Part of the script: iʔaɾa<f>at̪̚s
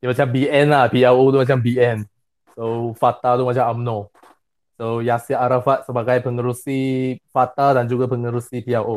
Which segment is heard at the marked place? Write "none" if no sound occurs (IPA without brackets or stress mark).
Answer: f